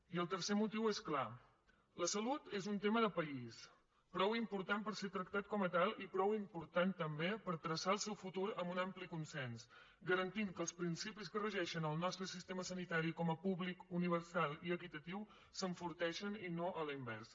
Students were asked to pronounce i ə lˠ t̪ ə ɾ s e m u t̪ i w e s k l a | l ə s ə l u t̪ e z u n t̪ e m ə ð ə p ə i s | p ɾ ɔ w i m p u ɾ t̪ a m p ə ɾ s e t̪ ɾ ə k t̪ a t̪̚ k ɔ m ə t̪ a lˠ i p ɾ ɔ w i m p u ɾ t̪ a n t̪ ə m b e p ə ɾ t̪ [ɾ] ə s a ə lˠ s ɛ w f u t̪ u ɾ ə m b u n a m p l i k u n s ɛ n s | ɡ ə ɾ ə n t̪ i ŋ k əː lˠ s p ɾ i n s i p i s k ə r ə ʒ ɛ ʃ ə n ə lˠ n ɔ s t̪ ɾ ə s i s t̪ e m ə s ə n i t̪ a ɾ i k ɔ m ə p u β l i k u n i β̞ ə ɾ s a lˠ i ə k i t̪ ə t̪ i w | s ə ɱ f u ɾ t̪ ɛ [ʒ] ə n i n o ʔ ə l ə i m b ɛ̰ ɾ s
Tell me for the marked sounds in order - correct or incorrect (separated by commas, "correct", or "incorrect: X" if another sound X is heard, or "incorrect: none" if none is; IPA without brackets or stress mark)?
correct, incorrect: ʃ